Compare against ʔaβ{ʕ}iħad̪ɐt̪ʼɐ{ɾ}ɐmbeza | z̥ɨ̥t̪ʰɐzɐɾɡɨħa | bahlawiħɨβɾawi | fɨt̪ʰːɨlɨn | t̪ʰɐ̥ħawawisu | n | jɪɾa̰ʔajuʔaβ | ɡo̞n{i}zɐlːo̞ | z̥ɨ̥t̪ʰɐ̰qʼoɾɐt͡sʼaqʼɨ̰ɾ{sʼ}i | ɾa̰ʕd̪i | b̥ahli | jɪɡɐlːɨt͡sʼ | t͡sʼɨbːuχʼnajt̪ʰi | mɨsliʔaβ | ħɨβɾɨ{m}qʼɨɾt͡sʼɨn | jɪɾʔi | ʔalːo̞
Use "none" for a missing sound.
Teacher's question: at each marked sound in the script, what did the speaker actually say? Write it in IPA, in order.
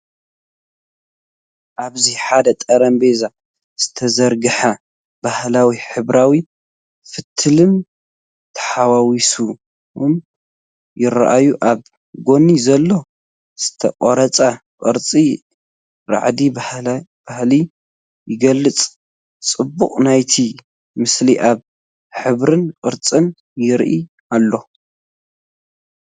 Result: z, ɾ, i, t͡sʼ, n

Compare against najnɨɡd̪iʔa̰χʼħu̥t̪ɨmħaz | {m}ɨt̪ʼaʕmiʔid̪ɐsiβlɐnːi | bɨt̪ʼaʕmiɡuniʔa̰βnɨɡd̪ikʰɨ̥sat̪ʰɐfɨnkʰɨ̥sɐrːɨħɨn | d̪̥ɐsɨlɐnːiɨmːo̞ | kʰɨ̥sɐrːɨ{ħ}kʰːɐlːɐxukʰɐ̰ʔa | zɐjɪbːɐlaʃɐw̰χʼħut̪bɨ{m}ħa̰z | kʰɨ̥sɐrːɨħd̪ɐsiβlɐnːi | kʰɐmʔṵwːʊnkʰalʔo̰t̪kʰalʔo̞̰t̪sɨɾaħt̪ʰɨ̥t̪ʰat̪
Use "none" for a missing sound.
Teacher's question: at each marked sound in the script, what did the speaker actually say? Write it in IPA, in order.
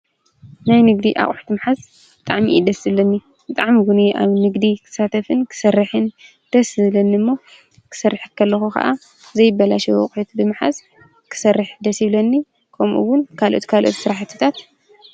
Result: b, ħ, m

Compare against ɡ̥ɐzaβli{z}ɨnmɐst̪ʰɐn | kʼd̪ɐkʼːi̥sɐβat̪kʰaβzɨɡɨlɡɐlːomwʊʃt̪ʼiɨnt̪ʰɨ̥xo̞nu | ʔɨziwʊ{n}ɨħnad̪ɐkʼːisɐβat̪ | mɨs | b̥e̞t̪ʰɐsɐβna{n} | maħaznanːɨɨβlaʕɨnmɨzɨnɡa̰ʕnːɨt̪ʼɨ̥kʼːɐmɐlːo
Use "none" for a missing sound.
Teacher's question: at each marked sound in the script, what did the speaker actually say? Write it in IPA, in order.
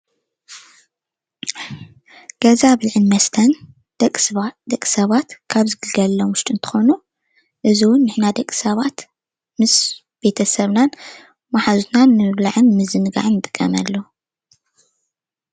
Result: ʕ, nː, n

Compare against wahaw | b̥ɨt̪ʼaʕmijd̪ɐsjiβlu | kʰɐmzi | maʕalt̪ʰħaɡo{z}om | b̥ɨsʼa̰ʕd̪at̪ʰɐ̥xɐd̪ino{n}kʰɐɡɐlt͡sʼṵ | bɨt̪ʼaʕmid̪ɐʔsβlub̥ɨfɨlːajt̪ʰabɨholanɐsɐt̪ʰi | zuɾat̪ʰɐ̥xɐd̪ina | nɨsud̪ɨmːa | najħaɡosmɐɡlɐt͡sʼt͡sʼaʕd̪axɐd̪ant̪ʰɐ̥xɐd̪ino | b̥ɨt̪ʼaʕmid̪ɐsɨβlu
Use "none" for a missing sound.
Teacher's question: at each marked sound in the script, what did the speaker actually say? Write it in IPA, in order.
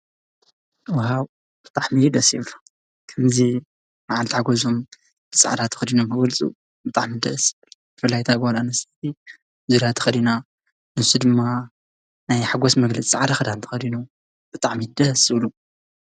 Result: z, m

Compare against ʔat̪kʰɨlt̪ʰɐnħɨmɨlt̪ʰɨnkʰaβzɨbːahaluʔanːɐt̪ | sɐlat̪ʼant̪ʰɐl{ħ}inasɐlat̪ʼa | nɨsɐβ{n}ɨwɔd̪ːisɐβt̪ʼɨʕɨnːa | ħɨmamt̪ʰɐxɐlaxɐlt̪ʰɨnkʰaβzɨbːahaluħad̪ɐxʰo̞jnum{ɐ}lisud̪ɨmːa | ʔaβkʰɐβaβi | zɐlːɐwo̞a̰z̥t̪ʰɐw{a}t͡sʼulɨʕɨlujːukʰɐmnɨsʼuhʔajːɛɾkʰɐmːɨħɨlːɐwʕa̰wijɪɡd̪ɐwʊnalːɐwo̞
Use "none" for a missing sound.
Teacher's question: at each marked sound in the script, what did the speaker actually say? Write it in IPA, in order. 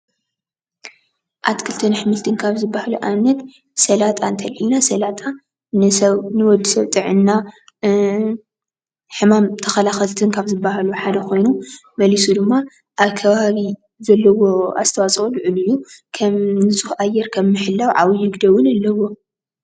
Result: ħ, n, ɐ, a

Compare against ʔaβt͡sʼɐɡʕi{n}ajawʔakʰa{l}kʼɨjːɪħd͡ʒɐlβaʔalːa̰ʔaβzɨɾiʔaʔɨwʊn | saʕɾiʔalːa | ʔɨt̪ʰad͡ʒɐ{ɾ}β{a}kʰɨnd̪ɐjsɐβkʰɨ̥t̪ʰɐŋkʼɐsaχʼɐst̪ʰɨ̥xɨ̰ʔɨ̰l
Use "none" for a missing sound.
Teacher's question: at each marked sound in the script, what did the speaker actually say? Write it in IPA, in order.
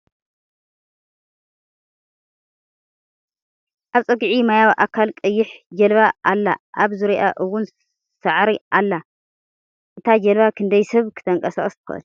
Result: m, l, l, a

